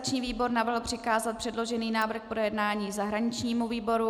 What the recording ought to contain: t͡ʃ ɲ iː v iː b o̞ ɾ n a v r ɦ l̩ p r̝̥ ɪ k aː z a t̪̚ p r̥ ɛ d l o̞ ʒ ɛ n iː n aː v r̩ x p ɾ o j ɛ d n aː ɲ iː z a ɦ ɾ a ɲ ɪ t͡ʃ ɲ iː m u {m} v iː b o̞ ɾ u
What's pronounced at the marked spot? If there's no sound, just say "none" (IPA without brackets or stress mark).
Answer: none